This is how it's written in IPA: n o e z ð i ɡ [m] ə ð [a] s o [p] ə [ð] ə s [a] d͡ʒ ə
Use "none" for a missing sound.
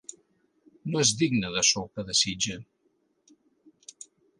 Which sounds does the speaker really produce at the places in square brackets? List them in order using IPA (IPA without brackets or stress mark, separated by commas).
n, ə, k, ð, i